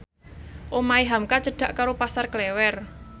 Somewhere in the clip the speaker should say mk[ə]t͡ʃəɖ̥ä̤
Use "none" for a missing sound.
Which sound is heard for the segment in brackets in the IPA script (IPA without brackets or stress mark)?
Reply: a